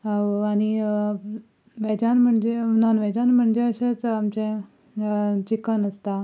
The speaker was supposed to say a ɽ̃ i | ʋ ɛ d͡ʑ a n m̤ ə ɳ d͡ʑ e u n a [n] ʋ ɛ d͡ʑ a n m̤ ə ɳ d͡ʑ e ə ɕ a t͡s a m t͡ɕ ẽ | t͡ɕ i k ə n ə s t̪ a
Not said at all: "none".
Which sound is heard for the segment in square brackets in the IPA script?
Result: n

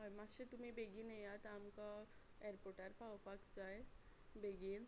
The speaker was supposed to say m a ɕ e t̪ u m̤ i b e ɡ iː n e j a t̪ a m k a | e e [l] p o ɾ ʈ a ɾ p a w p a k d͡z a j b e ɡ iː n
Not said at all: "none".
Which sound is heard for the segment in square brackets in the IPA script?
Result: ɾ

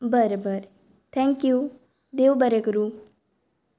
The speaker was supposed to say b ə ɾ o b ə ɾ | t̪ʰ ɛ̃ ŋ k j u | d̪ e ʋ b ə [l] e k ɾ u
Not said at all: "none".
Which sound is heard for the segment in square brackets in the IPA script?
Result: ɾ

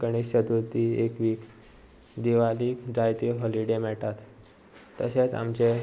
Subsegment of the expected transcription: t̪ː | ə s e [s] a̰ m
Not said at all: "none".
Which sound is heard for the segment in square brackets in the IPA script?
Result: t͡s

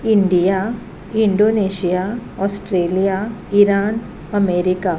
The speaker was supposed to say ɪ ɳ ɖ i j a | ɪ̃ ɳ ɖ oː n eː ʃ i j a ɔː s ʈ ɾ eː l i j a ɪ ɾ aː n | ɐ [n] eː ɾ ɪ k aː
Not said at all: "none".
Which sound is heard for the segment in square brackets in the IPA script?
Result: m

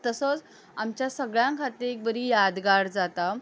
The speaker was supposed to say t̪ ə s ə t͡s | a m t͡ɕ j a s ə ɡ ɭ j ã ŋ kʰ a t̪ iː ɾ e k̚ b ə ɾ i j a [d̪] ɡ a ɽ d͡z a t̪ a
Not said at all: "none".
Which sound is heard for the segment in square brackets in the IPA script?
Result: d̪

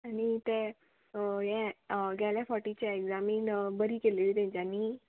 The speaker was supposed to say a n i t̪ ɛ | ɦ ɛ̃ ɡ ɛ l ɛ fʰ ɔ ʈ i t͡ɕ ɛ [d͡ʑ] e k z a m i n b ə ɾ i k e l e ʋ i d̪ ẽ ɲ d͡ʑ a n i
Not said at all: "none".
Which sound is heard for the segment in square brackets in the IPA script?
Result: none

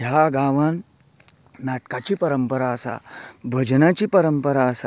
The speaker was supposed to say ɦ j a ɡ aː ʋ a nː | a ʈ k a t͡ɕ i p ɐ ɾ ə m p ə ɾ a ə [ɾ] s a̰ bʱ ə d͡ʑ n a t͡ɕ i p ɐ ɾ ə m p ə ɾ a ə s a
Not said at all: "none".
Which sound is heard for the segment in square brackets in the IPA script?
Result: none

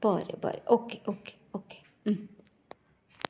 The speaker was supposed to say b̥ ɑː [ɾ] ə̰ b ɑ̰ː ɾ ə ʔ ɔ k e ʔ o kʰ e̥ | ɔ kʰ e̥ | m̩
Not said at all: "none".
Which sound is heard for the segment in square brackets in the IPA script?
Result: ɾ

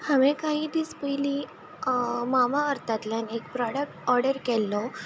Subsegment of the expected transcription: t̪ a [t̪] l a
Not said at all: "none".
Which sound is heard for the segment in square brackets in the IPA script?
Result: t̪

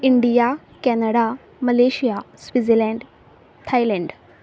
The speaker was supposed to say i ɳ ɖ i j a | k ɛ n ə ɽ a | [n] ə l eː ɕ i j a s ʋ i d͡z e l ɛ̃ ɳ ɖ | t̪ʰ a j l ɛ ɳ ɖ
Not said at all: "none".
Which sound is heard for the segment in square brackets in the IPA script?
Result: m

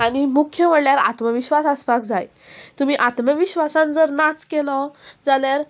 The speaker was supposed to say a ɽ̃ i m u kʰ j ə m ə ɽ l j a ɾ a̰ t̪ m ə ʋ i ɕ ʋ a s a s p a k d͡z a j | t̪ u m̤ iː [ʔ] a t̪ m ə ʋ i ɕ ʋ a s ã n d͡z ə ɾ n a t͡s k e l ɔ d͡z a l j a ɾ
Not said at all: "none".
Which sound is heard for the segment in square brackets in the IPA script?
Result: ʔ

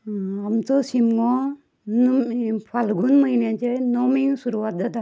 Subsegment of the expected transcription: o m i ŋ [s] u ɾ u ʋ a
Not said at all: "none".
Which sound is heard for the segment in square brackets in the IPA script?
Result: s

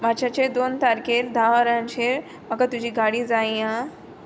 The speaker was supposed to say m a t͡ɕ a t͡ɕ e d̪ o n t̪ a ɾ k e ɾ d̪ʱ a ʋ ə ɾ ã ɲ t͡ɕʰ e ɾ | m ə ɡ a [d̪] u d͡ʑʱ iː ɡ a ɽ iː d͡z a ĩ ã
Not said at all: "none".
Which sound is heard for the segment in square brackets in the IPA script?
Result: t̪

